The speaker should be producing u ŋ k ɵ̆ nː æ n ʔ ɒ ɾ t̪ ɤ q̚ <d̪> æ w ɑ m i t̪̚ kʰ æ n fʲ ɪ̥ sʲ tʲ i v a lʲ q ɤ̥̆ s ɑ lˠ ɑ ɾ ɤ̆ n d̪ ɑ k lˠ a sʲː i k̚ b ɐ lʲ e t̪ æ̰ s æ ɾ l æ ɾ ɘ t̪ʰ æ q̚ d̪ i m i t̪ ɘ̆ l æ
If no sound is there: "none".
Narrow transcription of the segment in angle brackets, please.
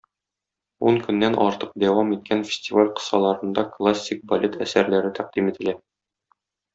d̪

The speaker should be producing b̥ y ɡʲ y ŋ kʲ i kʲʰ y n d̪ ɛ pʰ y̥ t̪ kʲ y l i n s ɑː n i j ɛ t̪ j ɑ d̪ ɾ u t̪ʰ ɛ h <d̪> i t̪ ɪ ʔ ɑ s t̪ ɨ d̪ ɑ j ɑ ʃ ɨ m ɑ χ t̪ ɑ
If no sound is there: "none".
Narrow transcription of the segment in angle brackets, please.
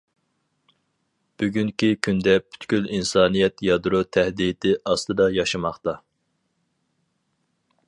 d̪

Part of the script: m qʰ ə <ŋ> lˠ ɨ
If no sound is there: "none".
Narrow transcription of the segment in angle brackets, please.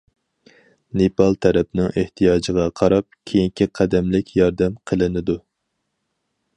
none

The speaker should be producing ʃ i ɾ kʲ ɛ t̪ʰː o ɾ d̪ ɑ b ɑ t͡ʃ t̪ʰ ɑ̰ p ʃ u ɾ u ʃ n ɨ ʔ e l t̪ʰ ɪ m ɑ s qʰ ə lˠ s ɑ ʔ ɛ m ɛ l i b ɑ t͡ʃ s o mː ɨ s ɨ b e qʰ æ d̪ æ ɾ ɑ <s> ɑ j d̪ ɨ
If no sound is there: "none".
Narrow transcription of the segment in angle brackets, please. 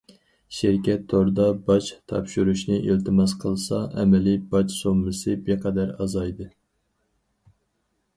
z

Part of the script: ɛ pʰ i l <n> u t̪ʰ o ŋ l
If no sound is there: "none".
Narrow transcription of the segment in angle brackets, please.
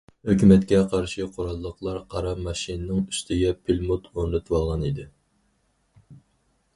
m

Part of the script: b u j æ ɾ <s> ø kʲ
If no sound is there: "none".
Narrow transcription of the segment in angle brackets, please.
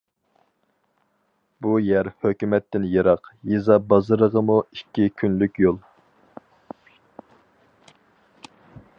h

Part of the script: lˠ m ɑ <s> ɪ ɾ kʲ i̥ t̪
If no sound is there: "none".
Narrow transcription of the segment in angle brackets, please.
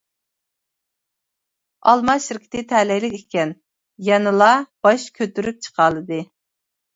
ʃ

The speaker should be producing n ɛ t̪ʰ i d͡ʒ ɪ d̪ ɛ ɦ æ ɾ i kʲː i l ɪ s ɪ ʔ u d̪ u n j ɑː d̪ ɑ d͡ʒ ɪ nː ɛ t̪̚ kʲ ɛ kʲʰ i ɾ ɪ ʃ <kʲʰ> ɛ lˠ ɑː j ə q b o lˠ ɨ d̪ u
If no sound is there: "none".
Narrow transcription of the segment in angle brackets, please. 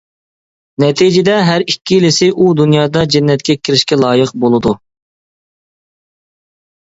kʲ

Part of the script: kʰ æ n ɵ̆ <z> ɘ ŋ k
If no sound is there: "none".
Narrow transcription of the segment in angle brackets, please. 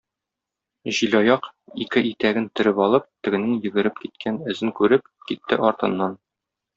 z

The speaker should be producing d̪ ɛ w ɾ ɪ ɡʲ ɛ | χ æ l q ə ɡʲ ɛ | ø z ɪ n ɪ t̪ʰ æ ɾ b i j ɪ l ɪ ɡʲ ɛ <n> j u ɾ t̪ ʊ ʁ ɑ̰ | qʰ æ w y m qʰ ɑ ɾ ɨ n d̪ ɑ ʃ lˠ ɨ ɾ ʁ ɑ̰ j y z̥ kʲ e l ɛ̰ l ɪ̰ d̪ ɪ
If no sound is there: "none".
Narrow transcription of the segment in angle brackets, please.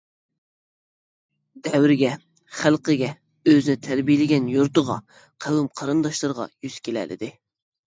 n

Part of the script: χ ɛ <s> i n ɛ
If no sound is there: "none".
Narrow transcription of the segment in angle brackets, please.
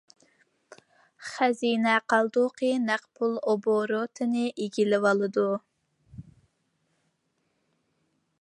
z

